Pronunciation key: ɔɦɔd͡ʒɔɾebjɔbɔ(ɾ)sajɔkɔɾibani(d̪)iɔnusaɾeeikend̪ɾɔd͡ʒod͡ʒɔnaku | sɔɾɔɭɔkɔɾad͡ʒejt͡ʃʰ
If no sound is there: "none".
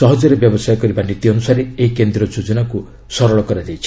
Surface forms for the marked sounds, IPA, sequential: none, t̪

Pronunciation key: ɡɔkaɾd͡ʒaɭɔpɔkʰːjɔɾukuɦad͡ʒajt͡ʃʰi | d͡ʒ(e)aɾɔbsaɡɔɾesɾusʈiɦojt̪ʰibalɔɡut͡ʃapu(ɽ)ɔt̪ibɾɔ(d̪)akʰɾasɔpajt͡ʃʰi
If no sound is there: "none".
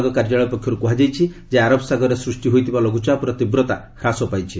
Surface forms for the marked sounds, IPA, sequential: e, ɾ, t̪

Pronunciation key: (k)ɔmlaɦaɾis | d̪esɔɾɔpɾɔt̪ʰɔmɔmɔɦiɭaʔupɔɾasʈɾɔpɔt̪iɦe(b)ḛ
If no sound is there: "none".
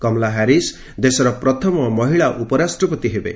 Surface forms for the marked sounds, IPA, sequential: k, b

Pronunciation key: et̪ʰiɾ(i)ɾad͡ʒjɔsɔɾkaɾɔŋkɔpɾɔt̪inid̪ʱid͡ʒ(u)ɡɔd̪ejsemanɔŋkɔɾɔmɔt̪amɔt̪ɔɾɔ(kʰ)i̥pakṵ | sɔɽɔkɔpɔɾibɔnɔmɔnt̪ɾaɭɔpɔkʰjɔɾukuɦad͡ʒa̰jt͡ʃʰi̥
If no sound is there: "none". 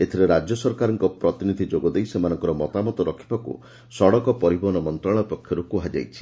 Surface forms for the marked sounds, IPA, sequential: e, o, kʰ

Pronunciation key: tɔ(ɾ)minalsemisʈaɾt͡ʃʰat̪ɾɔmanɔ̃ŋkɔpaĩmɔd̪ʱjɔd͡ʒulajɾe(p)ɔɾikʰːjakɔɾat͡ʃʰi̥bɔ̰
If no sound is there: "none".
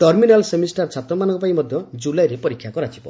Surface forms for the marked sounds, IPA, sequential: ɾ, p

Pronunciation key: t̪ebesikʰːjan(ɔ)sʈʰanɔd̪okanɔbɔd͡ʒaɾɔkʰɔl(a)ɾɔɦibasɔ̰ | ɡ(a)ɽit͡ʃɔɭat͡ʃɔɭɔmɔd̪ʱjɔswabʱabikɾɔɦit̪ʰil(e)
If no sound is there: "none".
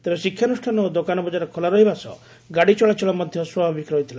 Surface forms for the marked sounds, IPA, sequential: u, a, a, a

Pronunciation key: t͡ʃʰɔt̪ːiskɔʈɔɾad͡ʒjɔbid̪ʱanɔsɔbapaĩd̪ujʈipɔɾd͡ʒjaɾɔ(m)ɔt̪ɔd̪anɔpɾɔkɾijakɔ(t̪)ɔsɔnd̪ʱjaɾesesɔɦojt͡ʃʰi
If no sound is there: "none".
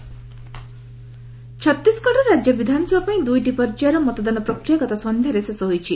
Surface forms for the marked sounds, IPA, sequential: m, t̪

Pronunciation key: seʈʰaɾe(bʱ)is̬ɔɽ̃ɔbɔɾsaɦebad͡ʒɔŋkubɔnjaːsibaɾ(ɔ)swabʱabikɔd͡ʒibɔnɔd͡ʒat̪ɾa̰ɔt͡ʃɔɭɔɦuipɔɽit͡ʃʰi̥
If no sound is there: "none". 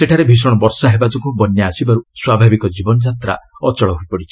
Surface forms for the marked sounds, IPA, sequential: bʱ, u

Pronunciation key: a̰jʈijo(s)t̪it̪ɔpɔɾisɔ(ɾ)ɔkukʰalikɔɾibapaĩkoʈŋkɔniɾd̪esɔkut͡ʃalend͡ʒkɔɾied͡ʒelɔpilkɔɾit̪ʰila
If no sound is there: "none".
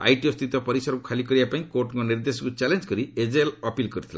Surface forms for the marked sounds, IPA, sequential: s, ɾ

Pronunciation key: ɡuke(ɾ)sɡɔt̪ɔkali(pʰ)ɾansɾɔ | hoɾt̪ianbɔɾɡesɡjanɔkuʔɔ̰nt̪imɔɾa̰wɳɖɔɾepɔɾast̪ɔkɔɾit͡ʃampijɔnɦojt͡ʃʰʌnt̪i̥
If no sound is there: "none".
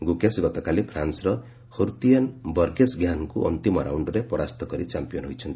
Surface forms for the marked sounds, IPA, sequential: none, pʰ

